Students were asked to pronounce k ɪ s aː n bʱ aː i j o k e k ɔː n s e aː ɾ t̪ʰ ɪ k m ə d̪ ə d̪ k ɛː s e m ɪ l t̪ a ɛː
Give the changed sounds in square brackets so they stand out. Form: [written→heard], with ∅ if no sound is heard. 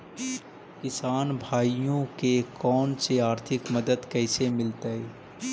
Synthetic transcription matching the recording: k ɪ s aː n bʱ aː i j [o→õ] k e k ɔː n s e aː ɾ t̪ʰ ɪ k m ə d̪ ə d̪ k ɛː s e m ɪ l t̪ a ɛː